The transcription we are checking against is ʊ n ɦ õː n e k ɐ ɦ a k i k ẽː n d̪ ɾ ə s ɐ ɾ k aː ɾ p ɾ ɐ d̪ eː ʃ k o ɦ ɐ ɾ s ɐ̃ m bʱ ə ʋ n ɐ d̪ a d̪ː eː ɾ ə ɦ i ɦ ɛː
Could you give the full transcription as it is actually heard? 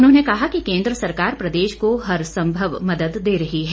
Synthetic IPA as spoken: ʊ n ɦ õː n e k ɐ ɦ a k i k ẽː n d̪ ɾ ə s ɐ ɾ k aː ɾ p ɾ ɐ d̪ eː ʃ k o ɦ ɐ ɾ s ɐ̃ m bʱ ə ʋ m ɐ d̪ ə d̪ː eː ɾ ɐ ɦ i ɦ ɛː